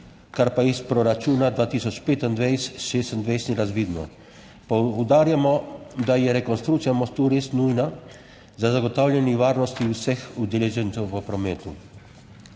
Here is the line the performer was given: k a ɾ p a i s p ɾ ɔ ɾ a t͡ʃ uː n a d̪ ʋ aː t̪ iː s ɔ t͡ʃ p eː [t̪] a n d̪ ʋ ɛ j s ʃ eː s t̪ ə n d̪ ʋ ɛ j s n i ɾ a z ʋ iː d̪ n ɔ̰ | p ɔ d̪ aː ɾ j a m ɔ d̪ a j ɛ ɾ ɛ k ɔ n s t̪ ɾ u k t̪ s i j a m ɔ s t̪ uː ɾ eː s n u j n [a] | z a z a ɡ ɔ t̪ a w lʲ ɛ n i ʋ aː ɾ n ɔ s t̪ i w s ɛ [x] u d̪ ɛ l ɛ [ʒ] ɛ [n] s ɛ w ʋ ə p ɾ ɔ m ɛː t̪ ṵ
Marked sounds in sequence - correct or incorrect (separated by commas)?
correct, correct, correct, correct, correct